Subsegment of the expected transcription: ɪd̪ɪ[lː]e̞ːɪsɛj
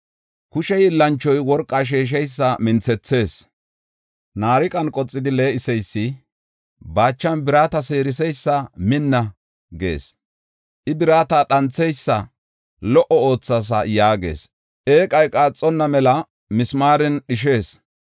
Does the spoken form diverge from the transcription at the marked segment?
yes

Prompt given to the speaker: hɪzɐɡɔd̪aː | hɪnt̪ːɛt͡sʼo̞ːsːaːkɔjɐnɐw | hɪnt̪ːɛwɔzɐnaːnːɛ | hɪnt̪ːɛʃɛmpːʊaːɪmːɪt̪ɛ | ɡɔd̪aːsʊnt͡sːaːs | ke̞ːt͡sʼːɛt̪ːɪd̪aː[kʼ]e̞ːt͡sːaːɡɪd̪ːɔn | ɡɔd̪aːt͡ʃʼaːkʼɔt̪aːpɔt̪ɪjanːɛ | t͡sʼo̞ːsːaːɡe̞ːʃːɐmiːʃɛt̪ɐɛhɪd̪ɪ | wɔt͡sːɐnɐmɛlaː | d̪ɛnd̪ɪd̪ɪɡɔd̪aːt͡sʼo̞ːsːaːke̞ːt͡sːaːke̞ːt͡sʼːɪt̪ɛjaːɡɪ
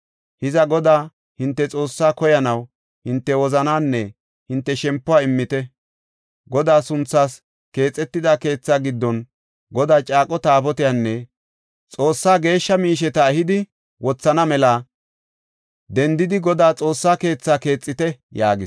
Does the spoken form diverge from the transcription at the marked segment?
yes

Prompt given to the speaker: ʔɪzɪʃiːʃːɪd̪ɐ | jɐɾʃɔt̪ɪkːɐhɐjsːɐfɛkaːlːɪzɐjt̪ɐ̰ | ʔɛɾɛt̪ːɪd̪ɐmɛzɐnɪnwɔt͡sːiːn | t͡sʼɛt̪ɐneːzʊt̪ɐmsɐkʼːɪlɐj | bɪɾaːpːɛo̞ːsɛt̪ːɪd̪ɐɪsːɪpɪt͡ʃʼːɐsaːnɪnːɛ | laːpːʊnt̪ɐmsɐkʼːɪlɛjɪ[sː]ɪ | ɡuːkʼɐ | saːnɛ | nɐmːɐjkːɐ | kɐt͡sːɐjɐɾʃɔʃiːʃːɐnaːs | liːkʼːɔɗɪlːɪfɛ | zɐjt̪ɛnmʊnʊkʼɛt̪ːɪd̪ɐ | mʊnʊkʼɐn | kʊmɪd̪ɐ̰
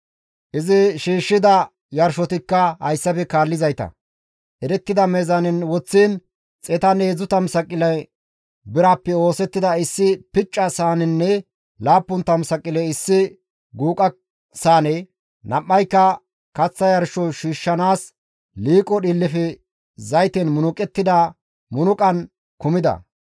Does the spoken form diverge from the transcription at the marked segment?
no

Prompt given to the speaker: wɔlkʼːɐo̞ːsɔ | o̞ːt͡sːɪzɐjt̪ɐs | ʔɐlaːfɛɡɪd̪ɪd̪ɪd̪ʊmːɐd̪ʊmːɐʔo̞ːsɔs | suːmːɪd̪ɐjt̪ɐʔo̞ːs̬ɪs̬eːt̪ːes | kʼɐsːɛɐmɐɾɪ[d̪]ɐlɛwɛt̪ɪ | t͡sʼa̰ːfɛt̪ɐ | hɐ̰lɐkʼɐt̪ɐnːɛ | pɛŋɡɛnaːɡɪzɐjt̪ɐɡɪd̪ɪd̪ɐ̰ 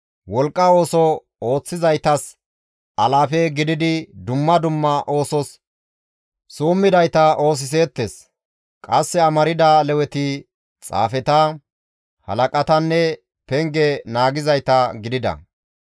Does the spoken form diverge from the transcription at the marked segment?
no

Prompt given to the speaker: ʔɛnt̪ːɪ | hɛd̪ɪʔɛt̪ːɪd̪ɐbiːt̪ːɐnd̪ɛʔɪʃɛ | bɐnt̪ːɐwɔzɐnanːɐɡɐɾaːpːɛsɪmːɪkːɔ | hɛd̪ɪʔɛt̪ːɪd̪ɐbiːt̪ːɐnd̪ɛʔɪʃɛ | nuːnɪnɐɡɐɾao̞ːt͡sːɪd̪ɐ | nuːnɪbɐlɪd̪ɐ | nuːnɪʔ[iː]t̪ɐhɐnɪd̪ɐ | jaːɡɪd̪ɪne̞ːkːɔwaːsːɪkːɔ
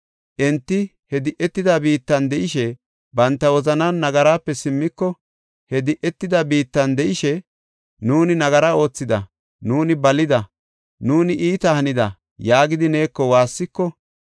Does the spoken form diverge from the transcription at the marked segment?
no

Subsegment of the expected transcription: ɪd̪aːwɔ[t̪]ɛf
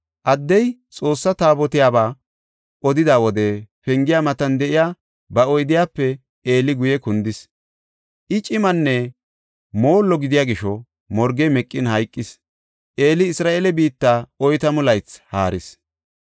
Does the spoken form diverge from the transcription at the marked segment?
yes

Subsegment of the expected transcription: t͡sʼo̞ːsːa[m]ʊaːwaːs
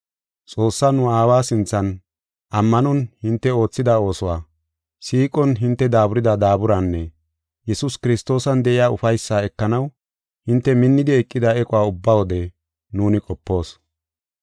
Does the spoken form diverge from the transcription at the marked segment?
yes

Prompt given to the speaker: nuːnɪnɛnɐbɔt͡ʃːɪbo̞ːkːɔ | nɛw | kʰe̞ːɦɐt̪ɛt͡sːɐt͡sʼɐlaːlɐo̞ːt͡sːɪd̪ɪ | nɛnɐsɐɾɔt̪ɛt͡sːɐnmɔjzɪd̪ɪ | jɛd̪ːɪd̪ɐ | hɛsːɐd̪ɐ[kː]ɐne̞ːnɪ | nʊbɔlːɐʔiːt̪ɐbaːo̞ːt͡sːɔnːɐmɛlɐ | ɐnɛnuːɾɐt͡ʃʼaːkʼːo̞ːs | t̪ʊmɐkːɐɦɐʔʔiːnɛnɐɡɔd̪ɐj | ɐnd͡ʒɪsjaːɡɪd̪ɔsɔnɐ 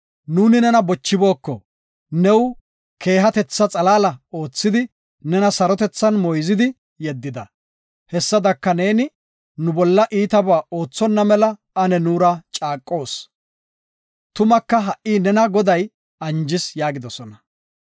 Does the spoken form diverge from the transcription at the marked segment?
no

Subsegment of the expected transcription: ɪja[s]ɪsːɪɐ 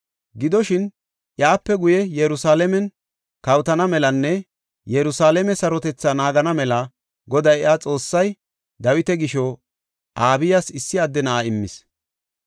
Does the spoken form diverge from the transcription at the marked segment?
no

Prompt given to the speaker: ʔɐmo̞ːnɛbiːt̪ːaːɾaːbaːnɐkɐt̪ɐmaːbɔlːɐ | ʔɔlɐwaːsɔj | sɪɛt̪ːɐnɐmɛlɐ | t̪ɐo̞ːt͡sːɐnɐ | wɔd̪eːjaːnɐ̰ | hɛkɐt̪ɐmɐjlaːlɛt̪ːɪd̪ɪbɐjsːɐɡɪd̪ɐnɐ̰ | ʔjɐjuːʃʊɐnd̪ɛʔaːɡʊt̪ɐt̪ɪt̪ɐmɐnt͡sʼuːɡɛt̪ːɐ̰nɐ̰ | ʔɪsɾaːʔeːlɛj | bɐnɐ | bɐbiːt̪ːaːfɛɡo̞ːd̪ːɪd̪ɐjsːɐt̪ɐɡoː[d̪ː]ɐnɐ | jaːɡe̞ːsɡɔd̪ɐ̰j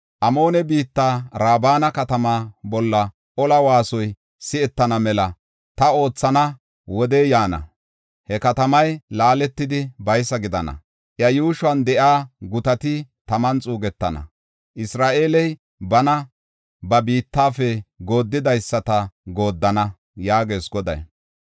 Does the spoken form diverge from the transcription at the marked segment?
no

